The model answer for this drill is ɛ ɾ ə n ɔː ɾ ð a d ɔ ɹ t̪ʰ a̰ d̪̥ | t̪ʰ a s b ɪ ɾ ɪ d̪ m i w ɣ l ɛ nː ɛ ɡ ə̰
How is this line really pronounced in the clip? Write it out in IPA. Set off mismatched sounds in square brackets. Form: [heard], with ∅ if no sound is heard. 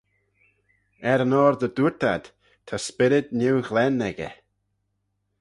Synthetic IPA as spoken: ɛ ɾ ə n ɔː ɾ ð [ə] d [u] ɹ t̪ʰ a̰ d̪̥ | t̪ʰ a s [p] ɪ ɾ ɪ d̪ [n] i w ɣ l ɛ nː ɛ ɡ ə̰